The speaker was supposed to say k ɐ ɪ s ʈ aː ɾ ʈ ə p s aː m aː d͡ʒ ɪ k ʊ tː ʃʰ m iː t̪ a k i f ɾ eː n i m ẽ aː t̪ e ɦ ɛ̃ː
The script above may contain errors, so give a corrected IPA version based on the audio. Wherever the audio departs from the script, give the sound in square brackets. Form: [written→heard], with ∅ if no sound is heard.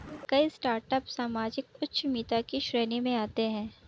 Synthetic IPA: k ɐ [ɪ→i] s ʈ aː ɾ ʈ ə p s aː m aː d͡ʒ ɪ k ʊ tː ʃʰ m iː t̪ a k i [f→ʃ] ɾ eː n i m ẽ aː t̪ e ɦ ɛ̃ː